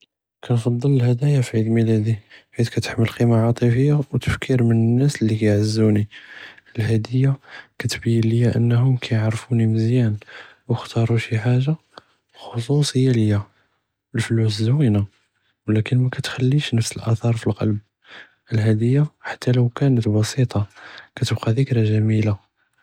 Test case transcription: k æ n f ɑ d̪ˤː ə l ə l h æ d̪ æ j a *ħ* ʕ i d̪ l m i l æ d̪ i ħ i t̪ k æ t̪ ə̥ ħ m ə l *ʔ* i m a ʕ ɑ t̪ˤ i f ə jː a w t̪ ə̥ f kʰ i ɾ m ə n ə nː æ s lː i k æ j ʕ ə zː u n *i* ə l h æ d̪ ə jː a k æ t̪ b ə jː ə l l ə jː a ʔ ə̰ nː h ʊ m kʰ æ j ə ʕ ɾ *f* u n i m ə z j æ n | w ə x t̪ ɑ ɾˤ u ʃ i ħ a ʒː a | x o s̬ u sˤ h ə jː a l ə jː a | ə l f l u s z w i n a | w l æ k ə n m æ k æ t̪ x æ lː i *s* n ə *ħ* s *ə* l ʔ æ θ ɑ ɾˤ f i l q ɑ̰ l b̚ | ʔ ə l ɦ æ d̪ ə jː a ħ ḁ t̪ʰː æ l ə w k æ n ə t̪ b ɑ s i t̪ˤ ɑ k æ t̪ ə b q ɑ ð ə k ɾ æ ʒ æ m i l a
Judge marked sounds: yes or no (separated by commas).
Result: no, no, yes, yes, no, no, yes